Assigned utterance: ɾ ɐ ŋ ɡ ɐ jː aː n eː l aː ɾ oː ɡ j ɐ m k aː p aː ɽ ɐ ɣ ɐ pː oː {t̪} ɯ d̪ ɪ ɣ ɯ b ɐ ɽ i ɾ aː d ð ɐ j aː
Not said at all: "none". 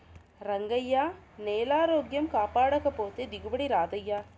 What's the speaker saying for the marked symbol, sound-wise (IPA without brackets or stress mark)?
t̪